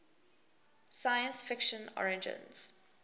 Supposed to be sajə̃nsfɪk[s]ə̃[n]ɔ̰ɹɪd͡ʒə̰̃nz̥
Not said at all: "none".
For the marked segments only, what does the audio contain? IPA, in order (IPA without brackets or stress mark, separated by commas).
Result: ʃ, n